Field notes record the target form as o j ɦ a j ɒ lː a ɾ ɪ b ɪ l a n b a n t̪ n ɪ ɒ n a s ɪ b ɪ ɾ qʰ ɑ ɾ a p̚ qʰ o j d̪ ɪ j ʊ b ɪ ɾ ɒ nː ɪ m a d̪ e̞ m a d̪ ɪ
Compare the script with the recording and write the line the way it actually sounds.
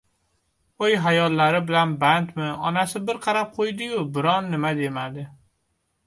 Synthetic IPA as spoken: o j ɦ a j ɒ lː a ɾ ɪ b ɪ l a n b a n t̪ m ɪ ɒ n a s ɪ b ɪ ɾ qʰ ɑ ɾ a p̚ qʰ o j d̪ ɪ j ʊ b ɪ ɾ ɒ nː ɪ m a d̪ e̞ m a d̪ ɪ